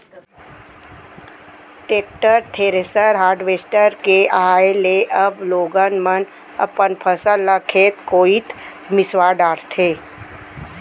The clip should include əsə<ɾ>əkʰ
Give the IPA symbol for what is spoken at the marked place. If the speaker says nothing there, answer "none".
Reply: l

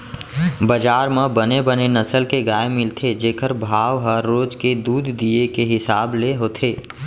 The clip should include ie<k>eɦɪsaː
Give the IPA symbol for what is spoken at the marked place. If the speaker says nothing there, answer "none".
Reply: k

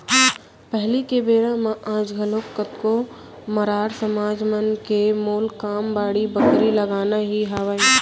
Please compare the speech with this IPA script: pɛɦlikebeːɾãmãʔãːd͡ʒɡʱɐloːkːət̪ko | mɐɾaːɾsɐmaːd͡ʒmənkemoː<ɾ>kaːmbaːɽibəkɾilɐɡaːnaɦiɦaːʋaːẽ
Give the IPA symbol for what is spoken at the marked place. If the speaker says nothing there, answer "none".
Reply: l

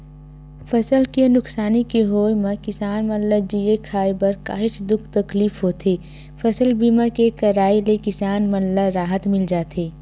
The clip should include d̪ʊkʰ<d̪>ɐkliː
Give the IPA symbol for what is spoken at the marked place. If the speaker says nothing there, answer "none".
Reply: t̪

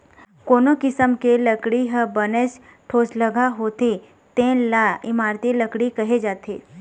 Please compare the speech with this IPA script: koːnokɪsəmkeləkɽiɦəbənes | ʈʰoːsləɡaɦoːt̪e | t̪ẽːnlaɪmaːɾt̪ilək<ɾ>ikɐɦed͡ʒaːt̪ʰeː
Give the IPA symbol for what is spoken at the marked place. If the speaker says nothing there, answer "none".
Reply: ɽ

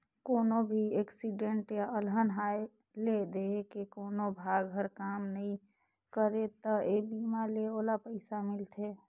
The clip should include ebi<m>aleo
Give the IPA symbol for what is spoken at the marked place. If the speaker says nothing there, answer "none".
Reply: m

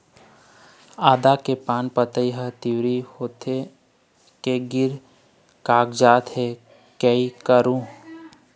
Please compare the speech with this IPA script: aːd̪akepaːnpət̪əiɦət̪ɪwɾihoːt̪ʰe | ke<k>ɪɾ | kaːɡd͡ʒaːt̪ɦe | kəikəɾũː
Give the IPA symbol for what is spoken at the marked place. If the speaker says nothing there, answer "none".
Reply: ɡ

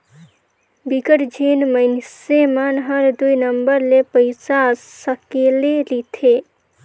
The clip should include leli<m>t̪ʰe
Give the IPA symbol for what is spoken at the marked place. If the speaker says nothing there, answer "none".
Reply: none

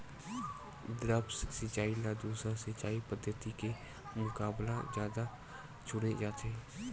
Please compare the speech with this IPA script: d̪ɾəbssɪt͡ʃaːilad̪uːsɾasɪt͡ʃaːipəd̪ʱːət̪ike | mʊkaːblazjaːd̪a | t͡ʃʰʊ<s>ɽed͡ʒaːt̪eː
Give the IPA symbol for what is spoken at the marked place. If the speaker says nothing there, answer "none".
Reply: none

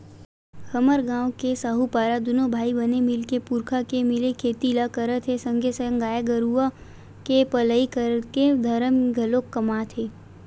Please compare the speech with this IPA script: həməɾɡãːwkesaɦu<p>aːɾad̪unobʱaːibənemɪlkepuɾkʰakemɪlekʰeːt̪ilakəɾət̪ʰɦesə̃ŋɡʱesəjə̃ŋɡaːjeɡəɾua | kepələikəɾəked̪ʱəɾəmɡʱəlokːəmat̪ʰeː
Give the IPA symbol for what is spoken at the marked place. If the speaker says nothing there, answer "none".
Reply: p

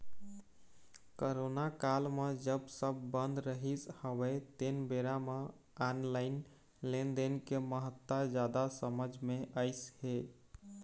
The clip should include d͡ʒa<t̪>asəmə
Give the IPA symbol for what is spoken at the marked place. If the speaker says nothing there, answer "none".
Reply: d̪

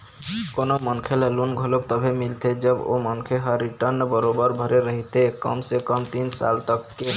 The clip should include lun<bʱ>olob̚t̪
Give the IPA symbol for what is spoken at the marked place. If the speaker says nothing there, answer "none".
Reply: ɡʱ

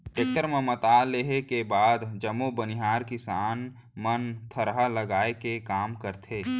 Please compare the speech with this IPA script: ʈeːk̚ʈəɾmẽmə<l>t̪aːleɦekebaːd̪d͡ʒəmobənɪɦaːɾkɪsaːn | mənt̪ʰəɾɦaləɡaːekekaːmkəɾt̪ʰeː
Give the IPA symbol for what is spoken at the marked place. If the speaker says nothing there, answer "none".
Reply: none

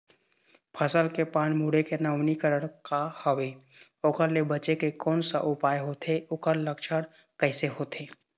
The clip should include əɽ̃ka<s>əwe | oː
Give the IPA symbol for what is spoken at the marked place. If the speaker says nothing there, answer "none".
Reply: h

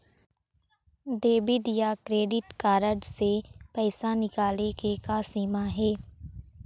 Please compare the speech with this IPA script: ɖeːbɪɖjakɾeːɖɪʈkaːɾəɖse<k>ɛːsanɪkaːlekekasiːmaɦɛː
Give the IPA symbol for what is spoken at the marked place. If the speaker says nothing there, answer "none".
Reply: p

